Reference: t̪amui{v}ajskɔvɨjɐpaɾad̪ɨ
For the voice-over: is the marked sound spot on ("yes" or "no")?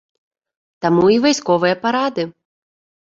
yes